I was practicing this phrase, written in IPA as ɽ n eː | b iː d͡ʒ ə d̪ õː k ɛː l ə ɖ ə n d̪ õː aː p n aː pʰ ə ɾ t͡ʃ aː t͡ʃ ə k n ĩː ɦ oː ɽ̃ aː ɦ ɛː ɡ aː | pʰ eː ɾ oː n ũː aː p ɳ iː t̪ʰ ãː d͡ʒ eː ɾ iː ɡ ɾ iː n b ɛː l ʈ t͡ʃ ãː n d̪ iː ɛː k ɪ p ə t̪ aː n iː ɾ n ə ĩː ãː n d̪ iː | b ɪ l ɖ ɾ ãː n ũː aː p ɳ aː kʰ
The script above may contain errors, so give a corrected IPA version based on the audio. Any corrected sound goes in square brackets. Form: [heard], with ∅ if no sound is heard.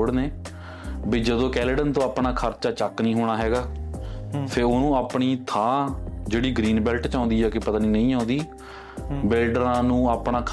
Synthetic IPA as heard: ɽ n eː | b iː d͡ʒ ə d̪ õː k ɛː l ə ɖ ə n [t̪] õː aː p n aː [kʰ] ə ɾ t͡ʃ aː t͡ʃ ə k n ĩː ɦ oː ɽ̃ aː ɦ ɛː ɡ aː | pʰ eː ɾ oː n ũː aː p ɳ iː t̪ʰ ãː d͡ʒ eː [ɽ] iː ɡ ɾ iː n b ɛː l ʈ t͡ʃ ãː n d̪ iː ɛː k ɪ p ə t̪ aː n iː [∅] n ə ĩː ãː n d̪ iː | b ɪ l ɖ ɾ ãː n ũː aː p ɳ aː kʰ